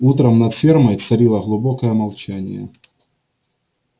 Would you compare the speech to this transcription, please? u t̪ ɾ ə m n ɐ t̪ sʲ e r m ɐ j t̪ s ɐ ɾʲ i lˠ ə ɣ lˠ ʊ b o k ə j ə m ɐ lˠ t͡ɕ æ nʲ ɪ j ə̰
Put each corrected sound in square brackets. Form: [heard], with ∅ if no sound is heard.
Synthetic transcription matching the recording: u t̪ ɾ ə m n ɐ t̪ [fʲ] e r m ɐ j t̪ s ɐ ɾʲ i lˠ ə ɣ lˠ ʊ b o k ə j ə m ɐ lˠ t͡ɕ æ nʲ ɪ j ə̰